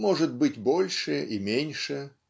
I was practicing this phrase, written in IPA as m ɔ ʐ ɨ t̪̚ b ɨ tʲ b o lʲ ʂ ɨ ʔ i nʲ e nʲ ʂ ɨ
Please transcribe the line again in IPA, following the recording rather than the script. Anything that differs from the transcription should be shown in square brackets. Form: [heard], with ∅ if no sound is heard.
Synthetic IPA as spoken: m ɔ ʐ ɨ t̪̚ b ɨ tʲ b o lʲ ʂ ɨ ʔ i [mʲ] e nʲ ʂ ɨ